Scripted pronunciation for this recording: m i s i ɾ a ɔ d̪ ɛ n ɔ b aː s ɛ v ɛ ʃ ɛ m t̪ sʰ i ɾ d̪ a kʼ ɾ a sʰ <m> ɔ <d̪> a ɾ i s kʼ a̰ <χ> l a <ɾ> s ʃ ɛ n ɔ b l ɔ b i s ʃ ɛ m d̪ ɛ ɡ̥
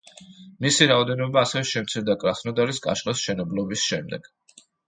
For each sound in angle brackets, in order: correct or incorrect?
incorrect, correct, incorrect, incorrect

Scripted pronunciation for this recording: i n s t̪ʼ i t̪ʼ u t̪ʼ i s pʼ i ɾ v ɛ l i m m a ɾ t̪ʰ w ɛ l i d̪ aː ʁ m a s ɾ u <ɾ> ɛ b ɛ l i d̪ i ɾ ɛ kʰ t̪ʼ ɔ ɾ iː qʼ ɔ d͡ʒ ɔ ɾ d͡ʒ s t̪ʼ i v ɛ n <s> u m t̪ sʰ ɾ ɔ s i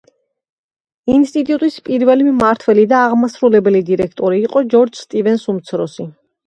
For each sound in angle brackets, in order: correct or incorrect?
incorrect, correct

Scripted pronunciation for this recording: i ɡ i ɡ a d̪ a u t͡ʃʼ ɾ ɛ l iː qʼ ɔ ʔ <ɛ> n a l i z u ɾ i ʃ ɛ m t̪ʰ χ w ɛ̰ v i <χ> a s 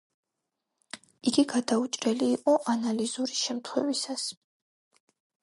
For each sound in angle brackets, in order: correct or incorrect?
incorrect, incorrect

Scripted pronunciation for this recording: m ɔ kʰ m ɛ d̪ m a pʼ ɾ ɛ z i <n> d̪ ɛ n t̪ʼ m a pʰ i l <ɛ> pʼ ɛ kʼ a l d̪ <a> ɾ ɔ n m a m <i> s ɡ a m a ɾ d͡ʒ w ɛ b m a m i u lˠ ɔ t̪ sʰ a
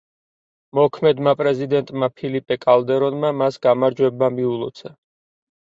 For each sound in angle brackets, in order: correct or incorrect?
incorrect, incorrect, incorrect, incorrect

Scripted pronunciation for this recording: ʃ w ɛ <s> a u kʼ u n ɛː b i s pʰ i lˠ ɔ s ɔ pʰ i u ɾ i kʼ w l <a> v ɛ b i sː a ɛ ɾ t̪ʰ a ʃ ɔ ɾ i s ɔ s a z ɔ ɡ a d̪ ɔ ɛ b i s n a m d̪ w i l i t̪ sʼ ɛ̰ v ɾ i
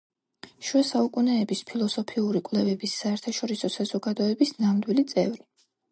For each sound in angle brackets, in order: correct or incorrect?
correct, incorrect

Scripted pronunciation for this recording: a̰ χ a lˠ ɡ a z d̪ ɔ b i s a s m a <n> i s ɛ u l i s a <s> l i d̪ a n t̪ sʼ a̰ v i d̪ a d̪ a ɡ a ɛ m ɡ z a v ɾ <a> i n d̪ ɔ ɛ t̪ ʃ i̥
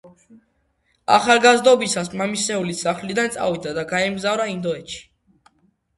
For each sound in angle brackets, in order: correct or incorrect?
incorrect, incorrect, correct

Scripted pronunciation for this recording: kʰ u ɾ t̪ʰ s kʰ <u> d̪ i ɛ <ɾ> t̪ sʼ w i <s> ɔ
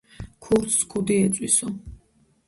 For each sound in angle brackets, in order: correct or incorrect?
correct, incorrect, correct

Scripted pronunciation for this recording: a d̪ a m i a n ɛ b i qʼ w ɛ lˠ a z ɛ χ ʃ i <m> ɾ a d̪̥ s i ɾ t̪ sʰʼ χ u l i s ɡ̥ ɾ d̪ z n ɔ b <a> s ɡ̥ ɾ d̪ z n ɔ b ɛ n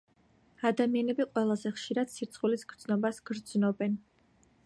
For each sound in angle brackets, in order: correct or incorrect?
incorrect, correct

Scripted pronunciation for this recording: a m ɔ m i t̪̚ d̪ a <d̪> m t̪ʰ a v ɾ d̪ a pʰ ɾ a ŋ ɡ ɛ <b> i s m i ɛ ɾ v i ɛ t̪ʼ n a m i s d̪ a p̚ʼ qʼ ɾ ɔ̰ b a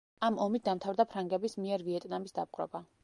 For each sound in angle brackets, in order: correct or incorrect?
incorrect, correct

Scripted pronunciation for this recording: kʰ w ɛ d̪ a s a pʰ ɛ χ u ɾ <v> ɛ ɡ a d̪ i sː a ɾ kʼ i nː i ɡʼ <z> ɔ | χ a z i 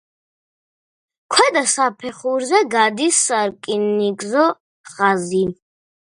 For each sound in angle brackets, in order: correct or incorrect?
incorrect, correct

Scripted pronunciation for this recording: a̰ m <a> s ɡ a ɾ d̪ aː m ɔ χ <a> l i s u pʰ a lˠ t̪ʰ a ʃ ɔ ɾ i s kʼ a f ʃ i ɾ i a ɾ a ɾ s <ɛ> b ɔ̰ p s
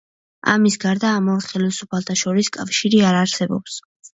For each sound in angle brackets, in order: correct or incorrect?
incorrect, incorrect, correct

